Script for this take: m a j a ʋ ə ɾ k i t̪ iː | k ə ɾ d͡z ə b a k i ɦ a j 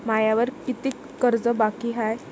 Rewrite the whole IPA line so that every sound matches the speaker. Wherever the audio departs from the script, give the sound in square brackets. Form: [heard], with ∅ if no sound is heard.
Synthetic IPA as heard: m a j a ʋ ə ɾ k i t̪ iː | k ə ɾ d͡z ə b a k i ɦ a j